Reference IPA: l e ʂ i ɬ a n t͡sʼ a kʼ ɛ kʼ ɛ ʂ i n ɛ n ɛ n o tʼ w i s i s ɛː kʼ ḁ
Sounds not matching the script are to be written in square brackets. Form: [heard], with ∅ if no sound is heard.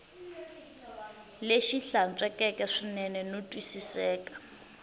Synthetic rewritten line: l e [ʃ] i ɬ a n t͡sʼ [ɛ] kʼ ɛ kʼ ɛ ʂ i n ɛ n ɛ n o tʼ w i s i s ɛː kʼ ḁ